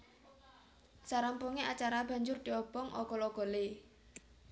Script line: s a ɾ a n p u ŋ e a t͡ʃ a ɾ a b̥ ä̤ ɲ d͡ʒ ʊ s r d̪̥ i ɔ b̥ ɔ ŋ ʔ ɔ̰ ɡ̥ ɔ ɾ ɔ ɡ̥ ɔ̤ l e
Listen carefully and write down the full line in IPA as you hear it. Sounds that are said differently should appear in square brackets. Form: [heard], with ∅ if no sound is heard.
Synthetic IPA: s a ɾ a [m] p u ŋ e a t͡ʃ a ɾ a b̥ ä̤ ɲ d͡ʒ ʊ [∅] r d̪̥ i ɔ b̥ ɔ ŋ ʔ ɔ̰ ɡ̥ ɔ [l] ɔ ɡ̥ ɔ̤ l e